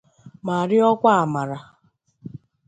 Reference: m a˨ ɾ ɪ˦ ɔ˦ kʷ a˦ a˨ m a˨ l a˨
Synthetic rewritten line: m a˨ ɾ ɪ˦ ɔ˦ kʷ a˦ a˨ m a˨ ɾ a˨

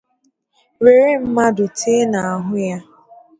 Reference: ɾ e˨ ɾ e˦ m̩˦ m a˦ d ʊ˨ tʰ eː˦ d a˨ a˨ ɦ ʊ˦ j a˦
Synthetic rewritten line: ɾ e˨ ɾ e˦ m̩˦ m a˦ d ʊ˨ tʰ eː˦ n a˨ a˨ ɦ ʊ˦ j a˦

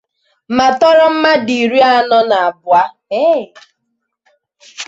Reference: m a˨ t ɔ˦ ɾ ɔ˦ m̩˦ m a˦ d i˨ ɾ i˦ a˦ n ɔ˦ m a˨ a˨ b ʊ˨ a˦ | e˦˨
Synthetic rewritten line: m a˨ t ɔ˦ ɾ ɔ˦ m̩˦ m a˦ d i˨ ɾ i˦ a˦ n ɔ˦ n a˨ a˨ b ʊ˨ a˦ | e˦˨

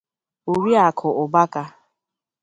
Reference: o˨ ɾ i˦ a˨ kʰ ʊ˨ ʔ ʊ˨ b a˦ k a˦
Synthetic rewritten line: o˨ ɾ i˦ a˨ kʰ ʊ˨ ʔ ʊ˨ b a˦ k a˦

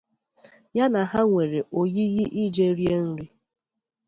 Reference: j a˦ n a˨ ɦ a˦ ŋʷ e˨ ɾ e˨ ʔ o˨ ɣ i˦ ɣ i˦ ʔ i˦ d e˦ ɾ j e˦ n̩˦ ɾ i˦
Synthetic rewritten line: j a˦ n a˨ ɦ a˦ ŋʷ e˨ ɾ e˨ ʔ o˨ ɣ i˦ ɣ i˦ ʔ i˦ d͡ʒ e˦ ɾ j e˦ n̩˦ ɾ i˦

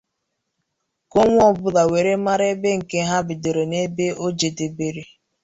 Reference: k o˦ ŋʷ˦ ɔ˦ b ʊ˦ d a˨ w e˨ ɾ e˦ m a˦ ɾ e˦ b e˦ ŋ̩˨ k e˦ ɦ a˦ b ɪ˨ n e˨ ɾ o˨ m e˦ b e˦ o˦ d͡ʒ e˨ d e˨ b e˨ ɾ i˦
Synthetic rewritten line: k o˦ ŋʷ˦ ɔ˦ b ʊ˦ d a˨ w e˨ ɾ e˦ m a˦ ɾ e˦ b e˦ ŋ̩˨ k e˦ ɦ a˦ b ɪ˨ d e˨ ɾ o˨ n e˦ b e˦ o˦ d͡ʒ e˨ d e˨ b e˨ ɾ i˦

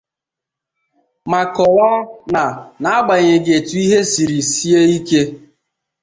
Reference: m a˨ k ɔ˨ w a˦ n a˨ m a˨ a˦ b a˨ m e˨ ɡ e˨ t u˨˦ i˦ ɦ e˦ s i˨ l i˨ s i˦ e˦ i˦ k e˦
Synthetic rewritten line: m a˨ k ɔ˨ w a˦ n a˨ n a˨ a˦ ɡ͡b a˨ ɲ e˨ ɡ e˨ t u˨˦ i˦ ɦ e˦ s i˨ ɾ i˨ s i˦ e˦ i˦ k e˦

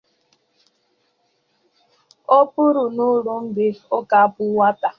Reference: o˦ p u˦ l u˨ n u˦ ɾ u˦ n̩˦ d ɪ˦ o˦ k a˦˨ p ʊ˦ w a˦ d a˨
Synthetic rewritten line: o˦ p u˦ ɾ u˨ n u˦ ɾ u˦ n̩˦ d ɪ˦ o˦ k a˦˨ p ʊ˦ w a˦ t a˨

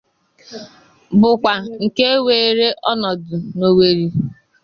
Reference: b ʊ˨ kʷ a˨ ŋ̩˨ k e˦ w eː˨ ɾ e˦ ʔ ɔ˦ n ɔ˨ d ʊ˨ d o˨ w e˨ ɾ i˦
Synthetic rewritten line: b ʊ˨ kʷ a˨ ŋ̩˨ k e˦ w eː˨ ɾ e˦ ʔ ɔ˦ n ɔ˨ d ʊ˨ n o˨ w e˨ ɾ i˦

